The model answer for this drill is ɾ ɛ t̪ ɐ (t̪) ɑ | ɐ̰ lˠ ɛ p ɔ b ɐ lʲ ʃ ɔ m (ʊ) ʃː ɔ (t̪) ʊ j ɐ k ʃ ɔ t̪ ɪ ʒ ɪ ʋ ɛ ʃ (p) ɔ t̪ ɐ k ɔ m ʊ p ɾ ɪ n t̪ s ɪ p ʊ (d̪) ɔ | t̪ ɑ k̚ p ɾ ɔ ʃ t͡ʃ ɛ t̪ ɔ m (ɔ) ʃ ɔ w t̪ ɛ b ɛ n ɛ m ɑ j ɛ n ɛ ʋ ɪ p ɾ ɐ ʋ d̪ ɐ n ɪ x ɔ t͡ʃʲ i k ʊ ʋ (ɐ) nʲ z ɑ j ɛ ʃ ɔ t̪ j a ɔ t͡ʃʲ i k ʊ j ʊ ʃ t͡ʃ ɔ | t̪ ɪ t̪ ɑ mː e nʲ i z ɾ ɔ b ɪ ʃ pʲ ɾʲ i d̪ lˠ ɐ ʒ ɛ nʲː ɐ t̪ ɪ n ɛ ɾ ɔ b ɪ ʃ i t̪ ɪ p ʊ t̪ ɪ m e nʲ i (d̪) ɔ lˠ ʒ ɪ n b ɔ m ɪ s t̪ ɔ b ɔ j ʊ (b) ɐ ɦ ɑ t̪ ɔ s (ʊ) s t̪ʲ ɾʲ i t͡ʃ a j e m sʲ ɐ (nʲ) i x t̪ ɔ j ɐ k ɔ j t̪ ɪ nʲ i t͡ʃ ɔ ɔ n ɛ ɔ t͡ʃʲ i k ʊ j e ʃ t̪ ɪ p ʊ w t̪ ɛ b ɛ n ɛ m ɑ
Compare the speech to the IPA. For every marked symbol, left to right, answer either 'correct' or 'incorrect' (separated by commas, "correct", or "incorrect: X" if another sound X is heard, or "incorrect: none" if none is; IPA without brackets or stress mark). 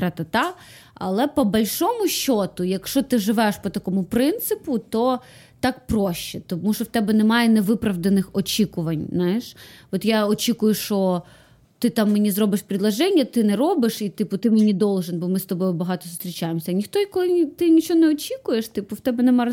correct, correct, correct, correct, incorrect: t̪, incorrect: u, correct, correct, correct, correct, correct